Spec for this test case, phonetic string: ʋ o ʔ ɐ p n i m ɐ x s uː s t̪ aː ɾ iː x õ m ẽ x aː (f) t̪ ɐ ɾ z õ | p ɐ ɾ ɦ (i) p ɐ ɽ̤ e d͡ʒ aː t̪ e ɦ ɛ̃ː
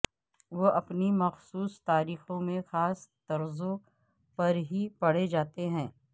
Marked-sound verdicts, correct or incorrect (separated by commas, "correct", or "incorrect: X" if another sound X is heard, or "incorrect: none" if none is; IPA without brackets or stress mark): incorrect: s, correct